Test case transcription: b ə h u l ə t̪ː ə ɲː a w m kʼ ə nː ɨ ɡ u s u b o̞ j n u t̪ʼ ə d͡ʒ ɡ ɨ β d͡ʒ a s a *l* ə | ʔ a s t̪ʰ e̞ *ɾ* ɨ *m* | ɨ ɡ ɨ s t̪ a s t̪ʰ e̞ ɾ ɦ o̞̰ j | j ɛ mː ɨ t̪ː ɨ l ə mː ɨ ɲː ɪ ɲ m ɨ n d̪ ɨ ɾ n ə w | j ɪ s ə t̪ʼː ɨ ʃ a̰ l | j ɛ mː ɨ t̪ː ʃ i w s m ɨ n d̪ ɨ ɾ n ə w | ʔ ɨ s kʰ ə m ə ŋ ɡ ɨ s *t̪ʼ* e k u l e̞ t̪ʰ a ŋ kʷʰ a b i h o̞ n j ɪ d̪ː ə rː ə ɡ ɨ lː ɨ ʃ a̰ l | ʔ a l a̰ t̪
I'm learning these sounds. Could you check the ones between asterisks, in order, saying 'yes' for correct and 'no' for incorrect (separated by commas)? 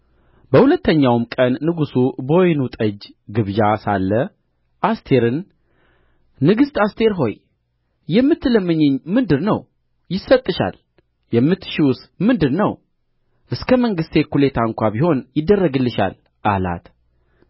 no, yes, no, no